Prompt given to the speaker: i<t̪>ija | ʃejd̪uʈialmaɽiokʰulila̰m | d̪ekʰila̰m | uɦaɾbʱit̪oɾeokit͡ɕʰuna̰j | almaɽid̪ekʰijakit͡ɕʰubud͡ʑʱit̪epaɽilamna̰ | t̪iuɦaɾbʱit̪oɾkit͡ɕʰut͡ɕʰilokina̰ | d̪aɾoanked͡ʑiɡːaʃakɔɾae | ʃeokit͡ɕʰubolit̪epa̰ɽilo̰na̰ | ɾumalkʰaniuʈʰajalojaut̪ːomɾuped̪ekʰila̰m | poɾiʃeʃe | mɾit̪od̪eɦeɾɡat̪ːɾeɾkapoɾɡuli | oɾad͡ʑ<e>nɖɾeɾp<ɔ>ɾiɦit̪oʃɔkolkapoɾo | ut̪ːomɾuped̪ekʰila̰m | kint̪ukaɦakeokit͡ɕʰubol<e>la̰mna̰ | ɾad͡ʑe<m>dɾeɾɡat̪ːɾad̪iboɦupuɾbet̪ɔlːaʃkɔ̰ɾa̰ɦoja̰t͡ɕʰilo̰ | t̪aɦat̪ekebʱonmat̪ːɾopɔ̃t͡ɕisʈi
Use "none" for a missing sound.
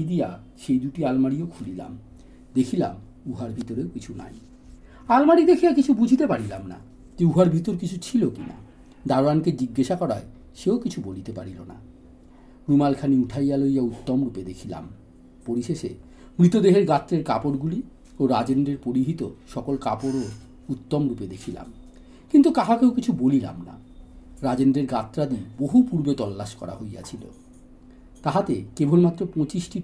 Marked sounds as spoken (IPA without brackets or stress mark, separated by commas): d̪, e, o, i, n